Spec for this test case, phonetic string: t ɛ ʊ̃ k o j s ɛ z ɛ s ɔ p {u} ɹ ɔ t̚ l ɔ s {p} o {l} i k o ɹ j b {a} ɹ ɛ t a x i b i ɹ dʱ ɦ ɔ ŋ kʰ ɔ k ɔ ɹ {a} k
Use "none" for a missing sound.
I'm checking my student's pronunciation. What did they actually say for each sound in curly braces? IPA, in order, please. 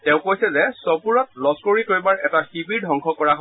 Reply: u, k, ɹ, a, a

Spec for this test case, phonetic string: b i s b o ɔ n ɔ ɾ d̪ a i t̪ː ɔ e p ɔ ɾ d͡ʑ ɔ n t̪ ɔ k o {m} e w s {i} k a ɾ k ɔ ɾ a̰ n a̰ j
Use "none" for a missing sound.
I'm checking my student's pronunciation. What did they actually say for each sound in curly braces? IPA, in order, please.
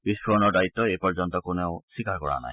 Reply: n, i

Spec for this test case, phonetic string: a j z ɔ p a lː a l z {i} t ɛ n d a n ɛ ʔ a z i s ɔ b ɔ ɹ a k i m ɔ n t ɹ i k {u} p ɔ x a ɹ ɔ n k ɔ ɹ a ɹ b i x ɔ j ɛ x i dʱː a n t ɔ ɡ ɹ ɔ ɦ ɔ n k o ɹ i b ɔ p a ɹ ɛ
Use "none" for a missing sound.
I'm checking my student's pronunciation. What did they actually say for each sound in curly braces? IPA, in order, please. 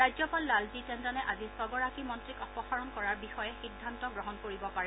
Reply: i, ɔ

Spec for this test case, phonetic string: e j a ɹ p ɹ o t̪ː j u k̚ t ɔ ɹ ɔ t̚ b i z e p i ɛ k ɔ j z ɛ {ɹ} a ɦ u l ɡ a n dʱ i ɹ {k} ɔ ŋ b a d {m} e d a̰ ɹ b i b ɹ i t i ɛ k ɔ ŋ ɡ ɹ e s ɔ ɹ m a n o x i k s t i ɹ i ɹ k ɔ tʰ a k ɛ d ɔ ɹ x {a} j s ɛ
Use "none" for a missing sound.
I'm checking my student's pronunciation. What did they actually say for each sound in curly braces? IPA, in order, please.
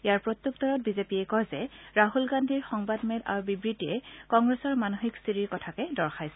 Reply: ɹ, x, m, a

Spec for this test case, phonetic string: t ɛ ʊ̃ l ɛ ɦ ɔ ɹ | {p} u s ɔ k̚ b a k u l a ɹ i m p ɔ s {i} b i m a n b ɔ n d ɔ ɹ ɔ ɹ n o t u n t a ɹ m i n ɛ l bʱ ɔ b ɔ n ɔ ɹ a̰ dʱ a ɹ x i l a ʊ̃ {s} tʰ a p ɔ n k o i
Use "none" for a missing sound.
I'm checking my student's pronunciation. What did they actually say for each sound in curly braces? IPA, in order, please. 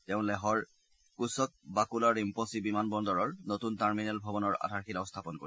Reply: k, i, s

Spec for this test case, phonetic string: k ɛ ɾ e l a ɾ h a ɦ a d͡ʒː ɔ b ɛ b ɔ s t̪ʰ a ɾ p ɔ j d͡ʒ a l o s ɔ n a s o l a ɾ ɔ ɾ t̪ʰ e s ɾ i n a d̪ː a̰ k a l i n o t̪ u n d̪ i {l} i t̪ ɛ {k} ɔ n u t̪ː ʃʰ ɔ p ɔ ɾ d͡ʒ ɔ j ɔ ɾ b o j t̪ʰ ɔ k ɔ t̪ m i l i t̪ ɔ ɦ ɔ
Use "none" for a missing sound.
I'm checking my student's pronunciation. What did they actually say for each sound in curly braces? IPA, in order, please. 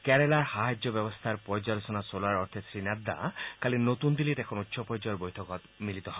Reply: l, kʰ

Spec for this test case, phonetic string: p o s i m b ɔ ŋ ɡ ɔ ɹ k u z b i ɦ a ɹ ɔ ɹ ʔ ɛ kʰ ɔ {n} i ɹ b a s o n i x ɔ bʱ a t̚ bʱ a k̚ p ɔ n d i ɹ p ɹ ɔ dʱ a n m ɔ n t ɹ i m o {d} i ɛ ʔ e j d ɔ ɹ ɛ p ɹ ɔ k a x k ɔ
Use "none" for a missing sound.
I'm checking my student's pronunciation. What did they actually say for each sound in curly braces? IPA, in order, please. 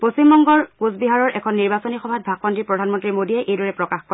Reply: nː, d

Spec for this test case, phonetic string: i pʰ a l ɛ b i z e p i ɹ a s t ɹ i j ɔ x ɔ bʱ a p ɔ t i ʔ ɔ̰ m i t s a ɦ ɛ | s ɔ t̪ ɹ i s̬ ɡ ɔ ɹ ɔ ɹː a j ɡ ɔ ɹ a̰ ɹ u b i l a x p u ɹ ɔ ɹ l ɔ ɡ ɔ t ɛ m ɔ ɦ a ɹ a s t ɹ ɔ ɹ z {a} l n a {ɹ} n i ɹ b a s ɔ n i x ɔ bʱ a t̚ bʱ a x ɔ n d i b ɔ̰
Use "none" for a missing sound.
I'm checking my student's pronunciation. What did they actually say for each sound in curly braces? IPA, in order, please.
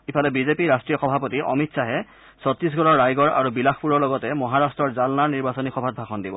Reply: a, ɹ

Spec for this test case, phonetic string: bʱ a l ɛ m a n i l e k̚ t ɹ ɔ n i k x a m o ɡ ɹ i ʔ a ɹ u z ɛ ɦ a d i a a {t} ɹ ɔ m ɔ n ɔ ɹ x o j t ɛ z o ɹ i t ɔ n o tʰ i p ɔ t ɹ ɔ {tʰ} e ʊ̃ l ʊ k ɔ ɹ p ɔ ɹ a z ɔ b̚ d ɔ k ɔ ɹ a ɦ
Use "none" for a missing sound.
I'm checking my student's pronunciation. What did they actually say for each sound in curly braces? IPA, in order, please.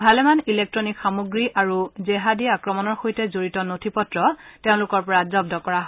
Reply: k, t

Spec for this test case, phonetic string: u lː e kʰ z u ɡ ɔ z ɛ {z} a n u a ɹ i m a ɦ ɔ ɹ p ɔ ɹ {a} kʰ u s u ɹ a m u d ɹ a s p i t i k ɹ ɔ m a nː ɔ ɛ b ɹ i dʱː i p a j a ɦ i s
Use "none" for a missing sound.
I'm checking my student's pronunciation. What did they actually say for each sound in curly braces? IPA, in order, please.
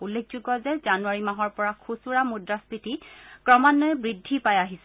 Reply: z, a

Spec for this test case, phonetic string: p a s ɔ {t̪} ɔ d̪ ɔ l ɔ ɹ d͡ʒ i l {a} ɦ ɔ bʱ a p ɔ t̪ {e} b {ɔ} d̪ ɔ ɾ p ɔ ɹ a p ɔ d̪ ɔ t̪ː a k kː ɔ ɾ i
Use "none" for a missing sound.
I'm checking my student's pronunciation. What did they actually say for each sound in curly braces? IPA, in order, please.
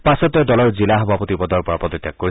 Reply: t̪, a, i, ɔ

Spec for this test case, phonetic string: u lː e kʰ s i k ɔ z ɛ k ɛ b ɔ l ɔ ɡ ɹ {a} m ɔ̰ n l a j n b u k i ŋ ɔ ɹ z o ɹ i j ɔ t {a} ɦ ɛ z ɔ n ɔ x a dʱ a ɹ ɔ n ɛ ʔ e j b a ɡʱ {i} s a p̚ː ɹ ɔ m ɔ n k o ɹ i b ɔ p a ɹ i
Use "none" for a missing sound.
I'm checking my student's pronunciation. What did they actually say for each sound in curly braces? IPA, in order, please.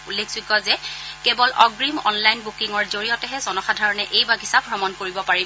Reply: i, ɛ, i

